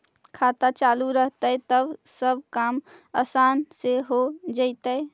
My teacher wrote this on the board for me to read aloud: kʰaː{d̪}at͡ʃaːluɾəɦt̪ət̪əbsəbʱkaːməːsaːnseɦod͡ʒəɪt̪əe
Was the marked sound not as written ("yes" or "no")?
yes